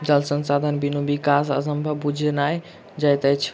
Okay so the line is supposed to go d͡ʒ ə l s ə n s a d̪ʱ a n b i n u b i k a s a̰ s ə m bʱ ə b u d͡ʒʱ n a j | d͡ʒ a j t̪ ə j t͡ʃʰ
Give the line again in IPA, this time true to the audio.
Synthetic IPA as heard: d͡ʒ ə l s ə n s a d̪ʱ ə n b i n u b i k a s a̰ s ə m bʱ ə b u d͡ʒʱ n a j | d͡ʒ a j t̪ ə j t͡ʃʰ